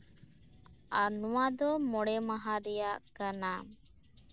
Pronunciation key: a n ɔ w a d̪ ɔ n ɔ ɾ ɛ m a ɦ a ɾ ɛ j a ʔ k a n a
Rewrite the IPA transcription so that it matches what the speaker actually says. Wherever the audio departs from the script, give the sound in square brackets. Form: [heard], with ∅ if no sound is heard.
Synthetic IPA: a n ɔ w a d̪ ɔ [m] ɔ [ɽ] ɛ m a ɦ a ɾ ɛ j a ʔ k a n a